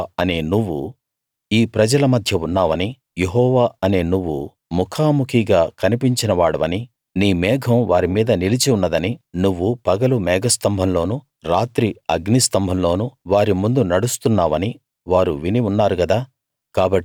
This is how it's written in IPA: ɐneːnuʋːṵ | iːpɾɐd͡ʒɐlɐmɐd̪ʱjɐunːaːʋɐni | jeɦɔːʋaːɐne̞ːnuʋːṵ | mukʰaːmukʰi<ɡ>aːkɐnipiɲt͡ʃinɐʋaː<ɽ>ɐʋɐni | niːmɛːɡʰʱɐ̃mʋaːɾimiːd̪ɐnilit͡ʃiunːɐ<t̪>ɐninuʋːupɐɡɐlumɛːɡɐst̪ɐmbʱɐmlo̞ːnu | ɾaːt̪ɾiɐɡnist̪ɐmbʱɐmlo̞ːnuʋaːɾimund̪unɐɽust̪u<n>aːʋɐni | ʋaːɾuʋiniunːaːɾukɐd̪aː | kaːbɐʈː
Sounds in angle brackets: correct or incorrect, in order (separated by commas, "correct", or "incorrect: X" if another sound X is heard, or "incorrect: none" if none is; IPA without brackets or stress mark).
correct, correct, incorrect: d̪, incorrect: nː